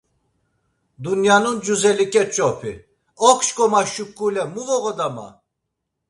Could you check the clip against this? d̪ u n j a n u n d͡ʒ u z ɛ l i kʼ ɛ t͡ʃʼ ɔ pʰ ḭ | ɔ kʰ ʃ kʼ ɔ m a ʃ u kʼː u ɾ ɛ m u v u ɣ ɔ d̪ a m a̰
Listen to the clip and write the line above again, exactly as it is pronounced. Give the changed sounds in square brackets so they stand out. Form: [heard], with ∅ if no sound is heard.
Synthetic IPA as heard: d̪ u n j a n u n d͡ʒ u z ɛ l i kʼ ɛ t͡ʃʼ ɔ pʰ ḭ | ɔ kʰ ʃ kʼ ɔ m a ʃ u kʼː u [l] ɛ m u v [ɔ] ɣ ɔ d̪ a m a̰